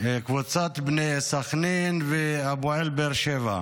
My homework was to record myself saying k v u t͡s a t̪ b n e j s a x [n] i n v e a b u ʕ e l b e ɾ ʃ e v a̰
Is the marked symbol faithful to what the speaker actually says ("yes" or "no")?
yes